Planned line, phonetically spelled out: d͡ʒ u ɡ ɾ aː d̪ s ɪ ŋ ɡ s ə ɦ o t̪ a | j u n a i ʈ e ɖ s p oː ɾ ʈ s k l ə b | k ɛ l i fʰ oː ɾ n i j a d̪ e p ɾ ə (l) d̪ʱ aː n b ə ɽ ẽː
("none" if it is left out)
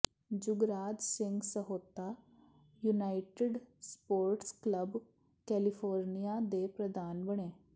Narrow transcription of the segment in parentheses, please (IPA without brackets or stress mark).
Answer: none